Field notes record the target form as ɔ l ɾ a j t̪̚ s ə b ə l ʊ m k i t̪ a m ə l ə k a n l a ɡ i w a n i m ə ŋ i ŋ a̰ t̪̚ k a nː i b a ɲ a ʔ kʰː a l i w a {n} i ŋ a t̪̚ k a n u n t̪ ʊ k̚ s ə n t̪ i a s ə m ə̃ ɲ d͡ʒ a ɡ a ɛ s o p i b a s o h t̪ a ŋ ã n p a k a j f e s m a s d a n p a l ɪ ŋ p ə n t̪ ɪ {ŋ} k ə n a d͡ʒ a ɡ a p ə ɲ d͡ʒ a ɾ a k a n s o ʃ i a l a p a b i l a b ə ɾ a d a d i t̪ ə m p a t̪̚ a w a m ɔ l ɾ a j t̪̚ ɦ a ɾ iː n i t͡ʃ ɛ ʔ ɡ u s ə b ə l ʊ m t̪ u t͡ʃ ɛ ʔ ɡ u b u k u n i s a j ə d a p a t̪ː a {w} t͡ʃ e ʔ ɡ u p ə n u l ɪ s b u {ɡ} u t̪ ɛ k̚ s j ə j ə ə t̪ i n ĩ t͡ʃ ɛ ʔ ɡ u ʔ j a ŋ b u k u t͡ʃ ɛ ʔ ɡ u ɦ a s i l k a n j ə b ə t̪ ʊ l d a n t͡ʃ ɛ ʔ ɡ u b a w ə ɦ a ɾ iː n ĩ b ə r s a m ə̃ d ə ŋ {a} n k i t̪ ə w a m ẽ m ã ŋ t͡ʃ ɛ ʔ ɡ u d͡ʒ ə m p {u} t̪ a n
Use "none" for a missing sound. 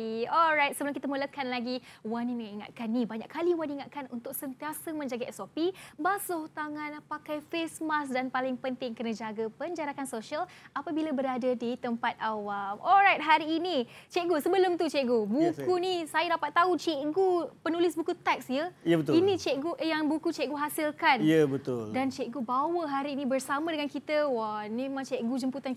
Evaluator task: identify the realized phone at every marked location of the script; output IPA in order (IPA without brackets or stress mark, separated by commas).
n, ŋ, u, k, a, u